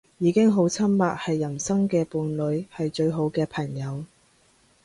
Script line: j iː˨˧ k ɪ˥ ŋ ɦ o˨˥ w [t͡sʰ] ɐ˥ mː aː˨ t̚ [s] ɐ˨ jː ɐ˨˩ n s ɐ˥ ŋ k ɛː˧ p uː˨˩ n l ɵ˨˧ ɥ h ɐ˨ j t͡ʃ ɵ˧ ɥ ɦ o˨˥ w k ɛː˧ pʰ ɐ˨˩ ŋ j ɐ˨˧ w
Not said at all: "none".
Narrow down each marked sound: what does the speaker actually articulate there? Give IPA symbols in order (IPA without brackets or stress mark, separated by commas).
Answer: t͡sʰ, h